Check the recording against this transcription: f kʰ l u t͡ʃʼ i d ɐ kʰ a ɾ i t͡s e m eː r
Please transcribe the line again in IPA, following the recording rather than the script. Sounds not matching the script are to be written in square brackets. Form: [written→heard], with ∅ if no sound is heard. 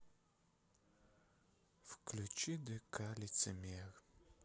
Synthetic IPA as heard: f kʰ l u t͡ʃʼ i d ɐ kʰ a [ɾ→l] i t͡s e m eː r